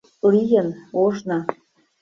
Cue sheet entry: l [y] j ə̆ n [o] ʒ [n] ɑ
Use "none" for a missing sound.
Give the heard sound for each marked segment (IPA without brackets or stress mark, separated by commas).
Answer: i, o, n